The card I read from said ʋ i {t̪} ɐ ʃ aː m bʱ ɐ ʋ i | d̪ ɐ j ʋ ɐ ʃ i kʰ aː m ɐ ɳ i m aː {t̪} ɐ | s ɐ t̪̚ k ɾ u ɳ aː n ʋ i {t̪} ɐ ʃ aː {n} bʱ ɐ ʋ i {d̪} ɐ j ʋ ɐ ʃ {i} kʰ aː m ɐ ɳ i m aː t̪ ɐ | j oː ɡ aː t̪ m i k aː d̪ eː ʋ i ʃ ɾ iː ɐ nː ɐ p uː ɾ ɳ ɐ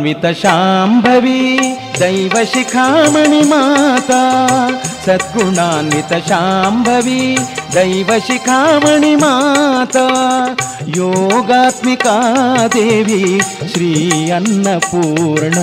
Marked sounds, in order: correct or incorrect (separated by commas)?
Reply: correct, correct, correct, incorrect, correct, correct